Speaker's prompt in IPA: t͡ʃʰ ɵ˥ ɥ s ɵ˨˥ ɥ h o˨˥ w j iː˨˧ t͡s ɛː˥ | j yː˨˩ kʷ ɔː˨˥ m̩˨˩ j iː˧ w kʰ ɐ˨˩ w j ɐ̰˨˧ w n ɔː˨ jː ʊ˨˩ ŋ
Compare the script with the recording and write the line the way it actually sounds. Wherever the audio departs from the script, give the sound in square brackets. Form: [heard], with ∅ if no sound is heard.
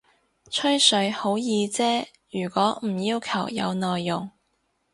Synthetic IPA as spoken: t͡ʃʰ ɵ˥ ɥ s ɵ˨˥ ɥ h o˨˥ w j iː˨˧ t͡s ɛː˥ | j yː˨˩ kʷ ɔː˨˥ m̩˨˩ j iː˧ w kʰ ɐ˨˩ w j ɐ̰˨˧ w n ɔː˨ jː ʊ˨˩ ŋ

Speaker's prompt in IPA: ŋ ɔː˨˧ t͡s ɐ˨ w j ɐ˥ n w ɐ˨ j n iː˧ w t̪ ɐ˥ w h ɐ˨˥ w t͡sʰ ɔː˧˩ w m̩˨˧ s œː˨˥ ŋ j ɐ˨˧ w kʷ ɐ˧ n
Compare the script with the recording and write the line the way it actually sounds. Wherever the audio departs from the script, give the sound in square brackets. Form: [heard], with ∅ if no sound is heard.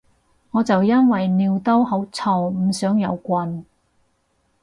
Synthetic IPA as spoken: ŋ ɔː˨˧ t͡s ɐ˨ w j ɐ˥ n w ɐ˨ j n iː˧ w t̪ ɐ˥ w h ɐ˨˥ w t͡sʰ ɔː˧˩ w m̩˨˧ s œː˨˥ ŋ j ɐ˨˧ w kʷ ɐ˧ n

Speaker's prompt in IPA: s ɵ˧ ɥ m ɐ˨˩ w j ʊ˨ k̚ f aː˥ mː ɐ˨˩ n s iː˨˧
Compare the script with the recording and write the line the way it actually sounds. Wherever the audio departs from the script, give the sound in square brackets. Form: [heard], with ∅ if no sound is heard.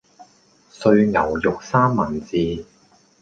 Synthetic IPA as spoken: s ɵ˧ ɥ [ŋ] ɐ˨˩ w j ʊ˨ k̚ [s] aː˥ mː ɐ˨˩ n [t͡s] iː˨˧

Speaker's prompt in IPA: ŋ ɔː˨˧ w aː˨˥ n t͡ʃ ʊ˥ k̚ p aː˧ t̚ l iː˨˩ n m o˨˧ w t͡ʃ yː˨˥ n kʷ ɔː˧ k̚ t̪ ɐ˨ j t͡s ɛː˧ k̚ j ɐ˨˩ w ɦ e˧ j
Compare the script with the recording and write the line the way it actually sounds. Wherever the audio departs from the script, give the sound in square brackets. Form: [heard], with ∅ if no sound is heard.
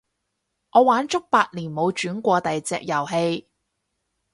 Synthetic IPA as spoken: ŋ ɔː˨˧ w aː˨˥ n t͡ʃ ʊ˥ k̚ p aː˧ t̚ l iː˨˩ n m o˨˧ w t͡ʃ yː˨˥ n kʷ ɔː˧ [∅] t̪ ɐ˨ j t͡s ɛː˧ k̚ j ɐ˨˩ w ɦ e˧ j

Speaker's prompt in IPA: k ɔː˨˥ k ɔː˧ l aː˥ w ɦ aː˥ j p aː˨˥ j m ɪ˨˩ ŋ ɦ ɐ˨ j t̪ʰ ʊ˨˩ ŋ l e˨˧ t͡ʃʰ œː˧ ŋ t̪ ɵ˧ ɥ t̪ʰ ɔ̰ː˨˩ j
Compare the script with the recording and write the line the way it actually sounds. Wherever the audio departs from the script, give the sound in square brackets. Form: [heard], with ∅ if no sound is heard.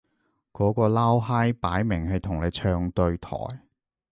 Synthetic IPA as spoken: k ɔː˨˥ k ɔː˧ l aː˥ w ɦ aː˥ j p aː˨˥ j m ɪ˨˩ ŋ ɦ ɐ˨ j t̪ʰ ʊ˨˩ ŋ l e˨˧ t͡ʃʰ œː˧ ŋ t̪ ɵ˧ ɥ t̪ʰ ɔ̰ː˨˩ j

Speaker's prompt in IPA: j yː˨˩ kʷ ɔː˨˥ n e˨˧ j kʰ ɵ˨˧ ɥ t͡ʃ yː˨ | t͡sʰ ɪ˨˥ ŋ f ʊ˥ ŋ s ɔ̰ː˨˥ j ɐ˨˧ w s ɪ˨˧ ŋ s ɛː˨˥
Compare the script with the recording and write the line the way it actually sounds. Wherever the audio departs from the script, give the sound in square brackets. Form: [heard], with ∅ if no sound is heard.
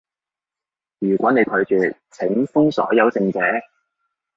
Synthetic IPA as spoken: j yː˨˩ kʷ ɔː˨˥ n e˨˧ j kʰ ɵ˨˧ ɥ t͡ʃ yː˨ | t͡sʰ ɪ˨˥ ŋ f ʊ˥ ŋ s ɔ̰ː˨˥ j ɐ˨˧ w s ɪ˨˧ ŋ [t͡s] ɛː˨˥

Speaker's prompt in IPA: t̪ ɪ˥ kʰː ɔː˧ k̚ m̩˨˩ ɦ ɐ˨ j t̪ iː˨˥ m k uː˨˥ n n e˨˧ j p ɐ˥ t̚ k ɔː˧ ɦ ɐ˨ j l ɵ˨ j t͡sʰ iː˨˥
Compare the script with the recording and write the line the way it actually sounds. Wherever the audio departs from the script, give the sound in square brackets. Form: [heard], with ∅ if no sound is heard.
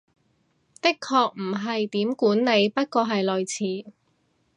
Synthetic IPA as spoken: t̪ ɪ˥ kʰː ɔː˧ k̚ m̩˨˩ ɦ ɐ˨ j t̪ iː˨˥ m k uː˨˥ n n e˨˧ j p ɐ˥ t̚ k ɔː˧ ɦ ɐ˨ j l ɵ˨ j t͡sʰ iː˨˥

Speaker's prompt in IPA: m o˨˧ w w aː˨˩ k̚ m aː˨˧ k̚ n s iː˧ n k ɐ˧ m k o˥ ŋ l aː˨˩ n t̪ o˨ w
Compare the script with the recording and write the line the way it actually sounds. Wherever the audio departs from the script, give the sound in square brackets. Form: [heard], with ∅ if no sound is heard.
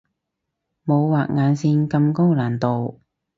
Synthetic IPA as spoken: m o˨˧ w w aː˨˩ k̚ [ŋ] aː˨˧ [∅] n s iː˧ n k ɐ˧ m k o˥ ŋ l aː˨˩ n t̪ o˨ w

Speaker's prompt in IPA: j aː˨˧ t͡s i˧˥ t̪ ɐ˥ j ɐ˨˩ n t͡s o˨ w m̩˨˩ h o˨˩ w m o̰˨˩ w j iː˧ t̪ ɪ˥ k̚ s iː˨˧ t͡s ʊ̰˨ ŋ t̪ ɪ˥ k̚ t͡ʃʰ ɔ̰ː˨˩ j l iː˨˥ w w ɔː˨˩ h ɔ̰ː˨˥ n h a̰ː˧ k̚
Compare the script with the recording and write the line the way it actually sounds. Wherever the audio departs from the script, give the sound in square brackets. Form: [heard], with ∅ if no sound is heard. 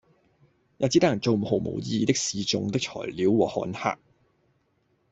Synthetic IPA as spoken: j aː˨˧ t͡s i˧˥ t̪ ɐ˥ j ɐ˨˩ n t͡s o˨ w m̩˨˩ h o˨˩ w m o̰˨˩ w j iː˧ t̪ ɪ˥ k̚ s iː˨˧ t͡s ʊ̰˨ ŋ t̪ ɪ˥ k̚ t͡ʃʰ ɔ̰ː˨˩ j l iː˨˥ w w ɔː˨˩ h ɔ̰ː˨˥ n h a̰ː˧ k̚

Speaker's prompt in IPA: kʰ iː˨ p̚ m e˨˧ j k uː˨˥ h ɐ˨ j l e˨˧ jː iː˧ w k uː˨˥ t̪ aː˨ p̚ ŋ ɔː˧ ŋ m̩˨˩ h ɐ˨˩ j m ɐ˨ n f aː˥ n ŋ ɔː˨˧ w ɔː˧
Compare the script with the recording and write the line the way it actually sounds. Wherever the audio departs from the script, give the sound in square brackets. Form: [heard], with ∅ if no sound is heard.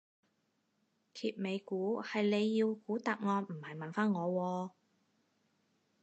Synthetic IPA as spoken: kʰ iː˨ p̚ m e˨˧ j k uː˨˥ h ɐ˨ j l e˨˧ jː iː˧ w k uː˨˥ t̪ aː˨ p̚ ŋ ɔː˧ [n] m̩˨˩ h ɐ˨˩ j m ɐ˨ n f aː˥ n ŋ ɔː˨˧ w ɔː˧

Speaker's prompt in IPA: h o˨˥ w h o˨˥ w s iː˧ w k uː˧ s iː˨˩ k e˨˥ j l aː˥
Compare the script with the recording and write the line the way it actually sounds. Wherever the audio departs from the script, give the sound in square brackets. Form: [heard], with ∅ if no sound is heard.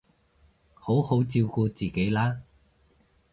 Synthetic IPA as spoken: h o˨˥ w h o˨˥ w [t͡s] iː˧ w k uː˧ [t͡s] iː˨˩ k e˨˥ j l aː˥

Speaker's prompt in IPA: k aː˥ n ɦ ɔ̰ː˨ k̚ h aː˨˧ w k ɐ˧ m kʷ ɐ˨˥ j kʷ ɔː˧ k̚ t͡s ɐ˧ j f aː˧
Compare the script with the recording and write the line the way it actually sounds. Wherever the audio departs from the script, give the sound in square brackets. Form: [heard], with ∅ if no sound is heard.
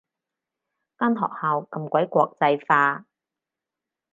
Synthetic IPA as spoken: k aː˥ n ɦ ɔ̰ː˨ k̚ h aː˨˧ w k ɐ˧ m kʷ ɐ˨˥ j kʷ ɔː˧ k̚ t͡s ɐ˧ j f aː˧

